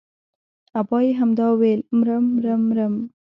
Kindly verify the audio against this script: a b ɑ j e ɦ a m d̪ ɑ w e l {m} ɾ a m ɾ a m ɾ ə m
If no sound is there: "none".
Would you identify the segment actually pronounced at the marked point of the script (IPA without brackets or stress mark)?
m